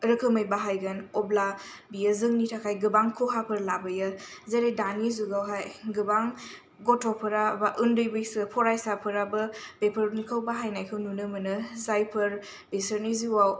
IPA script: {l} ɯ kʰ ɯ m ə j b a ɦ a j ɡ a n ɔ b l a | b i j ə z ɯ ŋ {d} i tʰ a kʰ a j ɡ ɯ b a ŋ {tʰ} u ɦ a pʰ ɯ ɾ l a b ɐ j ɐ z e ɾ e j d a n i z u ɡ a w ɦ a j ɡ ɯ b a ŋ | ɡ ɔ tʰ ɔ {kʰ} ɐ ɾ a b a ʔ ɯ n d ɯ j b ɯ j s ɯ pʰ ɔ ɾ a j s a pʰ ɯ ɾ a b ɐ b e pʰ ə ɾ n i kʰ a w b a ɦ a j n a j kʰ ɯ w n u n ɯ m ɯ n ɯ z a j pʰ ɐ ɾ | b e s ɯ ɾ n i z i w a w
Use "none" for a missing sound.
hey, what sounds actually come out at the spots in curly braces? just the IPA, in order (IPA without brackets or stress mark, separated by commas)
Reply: ɾ, n, kʰ, pʰ